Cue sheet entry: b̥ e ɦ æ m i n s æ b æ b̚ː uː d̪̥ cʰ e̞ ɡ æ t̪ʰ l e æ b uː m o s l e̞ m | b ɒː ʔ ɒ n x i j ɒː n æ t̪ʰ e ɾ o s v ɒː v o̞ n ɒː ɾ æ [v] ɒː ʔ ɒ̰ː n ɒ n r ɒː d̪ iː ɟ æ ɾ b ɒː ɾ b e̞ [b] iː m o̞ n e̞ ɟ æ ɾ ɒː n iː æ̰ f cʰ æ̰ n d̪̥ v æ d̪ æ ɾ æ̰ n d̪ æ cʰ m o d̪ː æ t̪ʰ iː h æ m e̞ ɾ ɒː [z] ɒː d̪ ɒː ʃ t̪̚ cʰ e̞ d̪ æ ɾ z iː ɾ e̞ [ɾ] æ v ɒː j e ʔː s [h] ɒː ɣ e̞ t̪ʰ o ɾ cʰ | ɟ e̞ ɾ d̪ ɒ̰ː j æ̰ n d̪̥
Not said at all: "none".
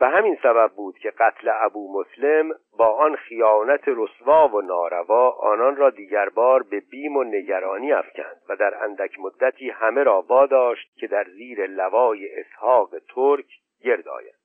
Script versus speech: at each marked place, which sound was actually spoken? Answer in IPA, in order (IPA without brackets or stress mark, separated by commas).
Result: v, b, v, l, h